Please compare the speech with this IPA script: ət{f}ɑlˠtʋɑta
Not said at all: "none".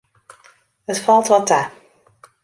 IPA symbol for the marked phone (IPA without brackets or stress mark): f